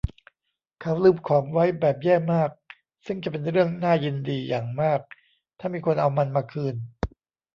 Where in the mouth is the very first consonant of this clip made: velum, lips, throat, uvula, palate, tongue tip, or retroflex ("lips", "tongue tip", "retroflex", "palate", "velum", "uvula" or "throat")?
velum